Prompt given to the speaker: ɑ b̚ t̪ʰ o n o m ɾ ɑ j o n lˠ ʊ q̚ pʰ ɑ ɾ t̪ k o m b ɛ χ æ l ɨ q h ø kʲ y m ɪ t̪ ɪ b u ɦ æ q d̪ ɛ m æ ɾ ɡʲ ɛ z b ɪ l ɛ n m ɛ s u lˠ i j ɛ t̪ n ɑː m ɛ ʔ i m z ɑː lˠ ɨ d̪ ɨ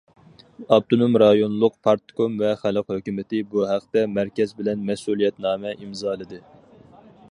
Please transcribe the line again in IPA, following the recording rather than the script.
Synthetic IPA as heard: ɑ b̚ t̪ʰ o n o m ɾ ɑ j o n lˠ ʊ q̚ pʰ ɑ ɾ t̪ k o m v ɛ χ æ l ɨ q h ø kʲ y m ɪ t̪ ɪ b u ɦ æ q t̪ ɛ m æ ɾ kʲ ɛ z b ɪ l ɛ n m ɛ s u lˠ i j ɛ t̪ n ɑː m ɛ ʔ i m z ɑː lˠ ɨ d̪ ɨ

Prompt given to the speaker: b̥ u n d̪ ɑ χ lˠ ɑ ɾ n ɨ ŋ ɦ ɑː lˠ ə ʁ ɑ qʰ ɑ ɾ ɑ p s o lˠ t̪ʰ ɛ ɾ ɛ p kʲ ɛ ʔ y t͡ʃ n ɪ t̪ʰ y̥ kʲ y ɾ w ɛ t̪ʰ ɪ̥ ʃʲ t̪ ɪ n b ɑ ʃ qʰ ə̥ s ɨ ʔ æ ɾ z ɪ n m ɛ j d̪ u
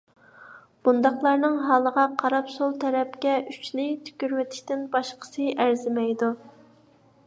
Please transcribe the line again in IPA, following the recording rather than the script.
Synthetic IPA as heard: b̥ u n d̪ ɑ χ lˠ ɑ ɾ n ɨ ŋ ɦ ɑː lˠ ə ʁ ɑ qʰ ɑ ɾ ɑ p s o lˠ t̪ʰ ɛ ɾ ɛ p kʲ ɛ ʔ y t͡ʃ n ɪ t̪ʰ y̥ kʲ y ɾ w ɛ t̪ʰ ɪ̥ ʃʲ t̪ ɪ n b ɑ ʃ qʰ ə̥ s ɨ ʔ æ ɾ z ɪ m ɛ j d̪ u

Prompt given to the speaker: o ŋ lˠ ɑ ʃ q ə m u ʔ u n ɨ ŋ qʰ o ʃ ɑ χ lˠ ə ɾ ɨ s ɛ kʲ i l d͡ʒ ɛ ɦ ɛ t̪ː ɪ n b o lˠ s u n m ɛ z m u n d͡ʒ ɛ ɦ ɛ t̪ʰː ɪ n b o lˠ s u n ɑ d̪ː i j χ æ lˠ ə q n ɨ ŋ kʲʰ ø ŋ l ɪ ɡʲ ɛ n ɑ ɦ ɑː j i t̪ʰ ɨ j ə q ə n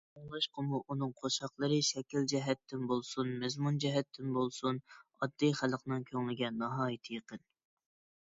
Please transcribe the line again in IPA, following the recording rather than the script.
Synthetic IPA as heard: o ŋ lˠ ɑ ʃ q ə m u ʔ u n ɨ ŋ qʰ o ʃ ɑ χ lˠ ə ɾ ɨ ʃ ɛ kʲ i l d͡ʒ ɛ ɦ ɛ t̪ː ɪ n b o lˠ s u n m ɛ z m u n d͡ʒ ɛ ɦ ɛ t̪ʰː ɪ n b o lˠ s u n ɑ d̪ː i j χ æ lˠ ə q n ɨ ŋ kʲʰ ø ŋ l ɪ ɡʲ ɛ n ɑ ɦ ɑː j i t̪ʰ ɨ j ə q ə n

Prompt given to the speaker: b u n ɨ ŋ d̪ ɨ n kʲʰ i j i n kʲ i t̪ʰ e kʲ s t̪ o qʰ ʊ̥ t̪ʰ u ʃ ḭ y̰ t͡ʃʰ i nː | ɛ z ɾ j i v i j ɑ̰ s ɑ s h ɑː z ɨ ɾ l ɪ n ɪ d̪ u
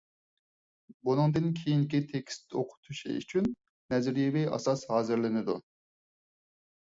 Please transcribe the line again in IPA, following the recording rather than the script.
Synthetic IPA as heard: b u n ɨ ŋ d̪ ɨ n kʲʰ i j i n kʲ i t̪ʰ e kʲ s t̪ o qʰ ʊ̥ t̪ʰ u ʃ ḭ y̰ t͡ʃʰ y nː | ɛ z ɾ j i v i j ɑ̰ s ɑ s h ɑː z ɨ ɾ l ɪ n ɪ d̪ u

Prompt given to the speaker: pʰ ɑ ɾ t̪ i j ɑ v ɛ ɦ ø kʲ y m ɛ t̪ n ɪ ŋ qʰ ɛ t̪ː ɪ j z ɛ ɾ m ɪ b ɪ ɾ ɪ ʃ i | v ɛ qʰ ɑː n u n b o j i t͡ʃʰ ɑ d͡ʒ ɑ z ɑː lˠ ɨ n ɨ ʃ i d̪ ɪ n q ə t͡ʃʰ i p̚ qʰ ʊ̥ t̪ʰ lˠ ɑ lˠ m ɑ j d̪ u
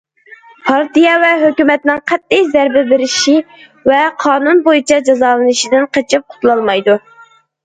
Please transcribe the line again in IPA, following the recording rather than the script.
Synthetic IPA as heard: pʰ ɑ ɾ t̪ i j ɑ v ɛ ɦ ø kʲ y m ɛ t̪ n ɪ ŋ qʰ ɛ t̪ː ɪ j z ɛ ɾ b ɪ b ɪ ɾ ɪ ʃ i | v ɛ qʰ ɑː n u n b o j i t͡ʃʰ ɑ d͡ʒ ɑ z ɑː lˠ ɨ n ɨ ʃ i d̪ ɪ n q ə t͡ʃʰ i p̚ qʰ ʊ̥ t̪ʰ lˠ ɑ lˠ m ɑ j d̪ u

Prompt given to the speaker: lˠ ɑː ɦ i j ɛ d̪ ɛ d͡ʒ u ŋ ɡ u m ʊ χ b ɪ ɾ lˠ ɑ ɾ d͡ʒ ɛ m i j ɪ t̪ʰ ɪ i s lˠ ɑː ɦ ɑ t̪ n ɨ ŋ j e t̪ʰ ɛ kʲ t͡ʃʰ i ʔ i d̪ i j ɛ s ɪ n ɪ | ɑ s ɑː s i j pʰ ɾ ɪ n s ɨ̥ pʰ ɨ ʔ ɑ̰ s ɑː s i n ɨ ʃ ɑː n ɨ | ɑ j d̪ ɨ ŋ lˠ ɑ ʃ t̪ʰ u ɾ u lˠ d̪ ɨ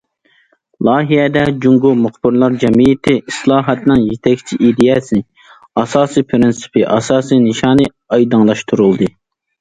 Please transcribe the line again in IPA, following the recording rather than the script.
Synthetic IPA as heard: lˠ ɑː ɦ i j ɛ d̪ ɛ d͡ʒ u ŋ ɡ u m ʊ χ b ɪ ɾ lˠ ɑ ɾ d͡ʒ ɛ m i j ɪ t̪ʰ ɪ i s lˠ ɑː ɦ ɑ t̪ n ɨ ŋ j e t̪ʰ ɛ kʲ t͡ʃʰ i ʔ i d̪ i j ɛ s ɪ n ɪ | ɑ s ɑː s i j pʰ ɾ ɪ n s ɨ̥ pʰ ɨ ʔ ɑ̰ s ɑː s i n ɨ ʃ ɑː n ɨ | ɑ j d̪ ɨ ŋ lˠ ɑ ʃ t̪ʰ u ɾ u lˠ d̪ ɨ

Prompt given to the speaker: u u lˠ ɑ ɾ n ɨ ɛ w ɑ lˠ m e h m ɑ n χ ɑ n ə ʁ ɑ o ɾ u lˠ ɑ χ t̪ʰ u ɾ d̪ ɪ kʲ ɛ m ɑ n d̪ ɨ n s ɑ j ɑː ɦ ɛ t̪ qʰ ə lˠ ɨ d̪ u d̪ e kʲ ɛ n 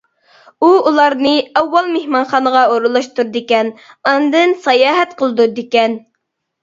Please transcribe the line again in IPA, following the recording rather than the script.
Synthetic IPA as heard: u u lˠ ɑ ɾ n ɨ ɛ wː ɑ lˠ m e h m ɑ n χ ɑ n ə ʁ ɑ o ɾ u lˠ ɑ ʃ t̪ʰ u ɾ d̪ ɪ kʲ ɛ n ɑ n d̪ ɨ n s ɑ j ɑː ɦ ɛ t̪ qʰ ə lˠ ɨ d̪ u d̪ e kʲ ɛ n

